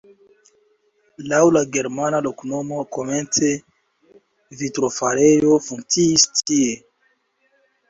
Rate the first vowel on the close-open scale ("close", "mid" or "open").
open